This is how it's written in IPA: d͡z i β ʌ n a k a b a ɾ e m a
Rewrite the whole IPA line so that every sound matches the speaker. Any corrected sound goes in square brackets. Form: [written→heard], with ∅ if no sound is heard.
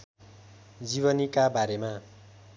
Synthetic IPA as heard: d͡z i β ʌ n [a→i] k a b a ɾ e m a